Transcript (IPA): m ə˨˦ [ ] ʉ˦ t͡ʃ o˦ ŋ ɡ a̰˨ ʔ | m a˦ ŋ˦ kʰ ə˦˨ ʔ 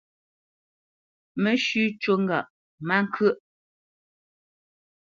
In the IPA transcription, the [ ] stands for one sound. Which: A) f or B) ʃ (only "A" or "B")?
B